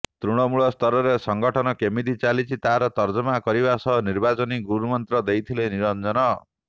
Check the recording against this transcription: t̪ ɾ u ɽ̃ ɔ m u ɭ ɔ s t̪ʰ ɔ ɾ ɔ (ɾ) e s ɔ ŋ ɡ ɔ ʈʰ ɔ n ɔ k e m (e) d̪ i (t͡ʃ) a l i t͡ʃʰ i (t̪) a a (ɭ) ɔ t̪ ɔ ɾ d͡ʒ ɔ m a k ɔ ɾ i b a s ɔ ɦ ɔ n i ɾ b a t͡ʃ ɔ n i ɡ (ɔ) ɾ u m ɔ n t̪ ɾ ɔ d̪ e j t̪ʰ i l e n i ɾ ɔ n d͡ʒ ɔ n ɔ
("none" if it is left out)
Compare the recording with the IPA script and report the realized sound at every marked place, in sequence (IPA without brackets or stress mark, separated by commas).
ɾ, i, t͡ʃ, t̪, ɾ, u